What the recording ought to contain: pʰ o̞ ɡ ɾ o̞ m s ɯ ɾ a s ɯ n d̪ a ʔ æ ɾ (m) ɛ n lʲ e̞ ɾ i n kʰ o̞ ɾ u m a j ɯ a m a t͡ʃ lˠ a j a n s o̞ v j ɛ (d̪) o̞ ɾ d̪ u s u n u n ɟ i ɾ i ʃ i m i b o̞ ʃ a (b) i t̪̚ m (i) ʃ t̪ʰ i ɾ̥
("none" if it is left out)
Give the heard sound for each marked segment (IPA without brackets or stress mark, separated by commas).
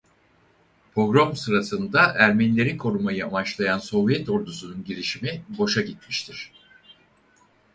m, t̪, ɟ, i